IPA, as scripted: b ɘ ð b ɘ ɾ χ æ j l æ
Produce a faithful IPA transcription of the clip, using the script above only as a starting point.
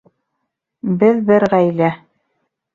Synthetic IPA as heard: b ɘ ð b ɘ ɾ ʁ æ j l æ